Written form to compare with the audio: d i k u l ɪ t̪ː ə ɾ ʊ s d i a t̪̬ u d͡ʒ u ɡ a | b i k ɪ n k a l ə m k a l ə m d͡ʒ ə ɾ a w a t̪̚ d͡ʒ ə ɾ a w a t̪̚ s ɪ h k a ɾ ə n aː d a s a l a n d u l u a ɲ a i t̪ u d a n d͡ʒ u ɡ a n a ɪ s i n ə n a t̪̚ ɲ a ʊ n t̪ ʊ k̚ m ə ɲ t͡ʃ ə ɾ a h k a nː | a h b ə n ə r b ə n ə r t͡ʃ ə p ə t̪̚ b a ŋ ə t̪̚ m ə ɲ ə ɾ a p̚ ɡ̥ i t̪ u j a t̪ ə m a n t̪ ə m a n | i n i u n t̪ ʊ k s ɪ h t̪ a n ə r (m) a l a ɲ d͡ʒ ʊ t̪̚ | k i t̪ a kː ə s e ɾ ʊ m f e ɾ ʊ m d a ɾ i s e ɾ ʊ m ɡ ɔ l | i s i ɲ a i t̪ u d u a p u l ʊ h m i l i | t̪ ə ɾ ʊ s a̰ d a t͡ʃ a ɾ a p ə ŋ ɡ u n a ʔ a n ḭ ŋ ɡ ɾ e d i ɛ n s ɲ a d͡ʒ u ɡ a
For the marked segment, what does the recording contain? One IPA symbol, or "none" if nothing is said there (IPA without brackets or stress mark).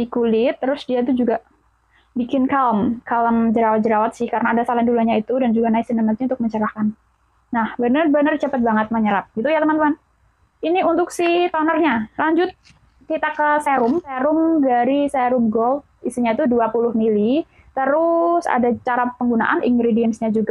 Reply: ɲ